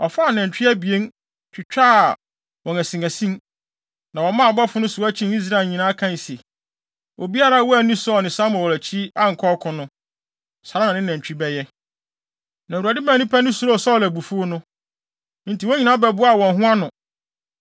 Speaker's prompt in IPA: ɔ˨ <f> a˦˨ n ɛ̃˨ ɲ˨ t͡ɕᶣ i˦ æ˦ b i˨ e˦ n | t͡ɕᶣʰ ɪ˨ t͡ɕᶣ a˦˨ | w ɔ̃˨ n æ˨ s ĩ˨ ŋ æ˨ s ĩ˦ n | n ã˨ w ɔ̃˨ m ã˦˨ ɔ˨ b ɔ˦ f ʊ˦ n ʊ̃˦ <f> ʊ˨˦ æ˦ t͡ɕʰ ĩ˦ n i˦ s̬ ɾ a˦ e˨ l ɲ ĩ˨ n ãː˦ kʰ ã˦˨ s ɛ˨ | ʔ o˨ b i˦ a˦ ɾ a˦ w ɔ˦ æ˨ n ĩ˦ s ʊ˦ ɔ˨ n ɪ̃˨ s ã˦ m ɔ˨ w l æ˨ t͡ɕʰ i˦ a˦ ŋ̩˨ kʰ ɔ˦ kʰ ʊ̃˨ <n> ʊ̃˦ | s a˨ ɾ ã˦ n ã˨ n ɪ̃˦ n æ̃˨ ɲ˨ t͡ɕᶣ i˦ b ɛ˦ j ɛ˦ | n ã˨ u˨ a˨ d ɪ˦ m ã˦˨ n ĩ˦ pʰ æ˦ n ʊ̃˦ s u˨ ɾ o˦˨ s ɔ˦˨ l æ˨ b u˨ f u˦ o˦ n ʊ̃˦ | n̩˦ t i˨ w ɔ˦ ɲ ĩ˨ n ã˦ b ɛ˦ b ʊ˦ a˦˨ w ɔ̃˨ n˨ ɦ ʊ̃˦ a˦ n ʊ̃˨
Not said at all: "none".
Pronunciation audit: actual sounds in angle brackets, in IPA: f, s, n

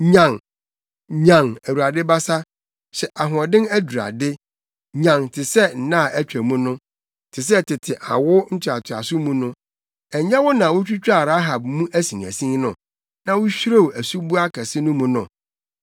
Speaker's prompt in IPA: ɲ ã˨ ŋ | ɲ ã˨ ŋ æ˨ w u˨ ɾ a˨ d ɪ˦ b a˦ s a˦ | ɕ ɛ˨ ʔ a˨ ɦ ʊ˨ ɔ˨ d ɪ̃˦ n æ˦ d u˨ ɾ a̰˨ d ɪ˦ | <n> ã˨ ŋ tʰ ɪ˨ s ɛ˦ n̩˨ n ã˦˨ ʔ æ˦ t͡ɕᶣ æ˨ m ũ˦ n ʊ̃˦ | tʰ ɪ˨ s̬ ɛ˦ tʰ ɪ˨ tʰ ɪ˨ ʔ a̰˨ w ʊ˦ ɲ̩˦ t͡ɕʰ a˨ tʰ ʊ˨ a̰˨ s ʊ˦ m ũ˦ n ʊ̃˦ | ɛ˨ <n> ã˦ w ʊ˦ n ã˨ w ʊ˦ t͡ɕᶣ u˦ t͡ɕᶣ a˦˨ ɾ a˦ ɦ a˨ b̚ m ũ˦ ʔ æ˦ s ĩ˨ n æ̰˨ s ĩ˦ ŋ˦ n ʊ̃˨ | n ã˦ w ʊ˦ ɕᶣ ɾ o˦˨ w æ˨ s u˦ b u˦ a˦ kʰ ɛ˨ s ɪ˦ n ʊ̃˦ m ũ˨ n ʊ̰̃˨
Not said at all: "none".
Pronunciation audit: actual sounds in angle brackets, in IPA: ɲ, ɲ

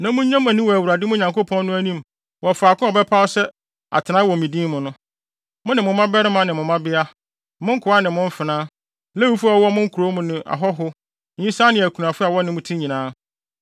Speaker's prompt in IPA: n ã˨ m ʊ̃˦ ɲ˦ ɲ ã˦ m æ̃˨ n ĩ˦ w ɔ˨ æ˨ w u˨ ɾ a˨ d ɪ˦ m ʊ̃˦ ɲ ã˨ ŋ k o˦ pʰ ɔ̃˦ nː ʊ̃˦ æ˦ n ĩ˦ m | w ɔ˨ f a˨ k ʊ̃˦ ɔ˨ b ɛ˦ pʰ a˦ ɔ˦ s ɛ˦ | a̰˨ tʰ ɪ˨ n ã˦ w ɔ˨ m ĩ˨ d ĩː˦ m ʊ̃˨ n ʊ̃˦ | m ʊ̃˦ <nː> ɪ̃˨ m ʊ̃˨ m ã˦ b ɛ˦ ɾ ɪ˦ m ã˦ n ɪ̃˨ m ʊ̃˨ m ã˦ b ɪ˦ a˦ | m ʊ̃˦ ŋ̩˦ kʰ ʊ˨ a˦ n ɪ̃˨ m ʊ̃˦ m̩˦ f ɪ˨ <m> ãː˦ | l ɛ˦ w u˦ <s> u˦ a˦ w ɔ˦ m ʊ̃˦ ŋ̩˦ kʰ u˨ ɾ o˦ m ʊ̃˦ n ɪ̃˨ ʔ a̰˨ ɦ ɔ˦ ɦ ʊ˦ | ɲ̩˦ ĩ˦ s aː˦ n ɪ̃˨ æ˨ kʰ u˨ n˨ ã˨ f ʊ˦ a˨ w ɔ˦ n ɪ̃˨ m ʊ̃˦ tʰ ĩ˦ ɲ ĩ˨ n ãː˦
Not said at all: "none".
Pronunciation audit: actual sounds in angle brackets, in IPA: n, n, f

